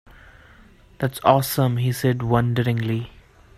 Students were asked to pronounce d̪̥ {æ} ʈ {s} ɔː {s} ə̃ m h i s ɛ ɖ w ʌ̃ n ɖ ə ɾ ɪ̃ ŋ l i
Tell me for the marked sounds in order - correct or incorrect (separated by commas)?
correct, correct, correct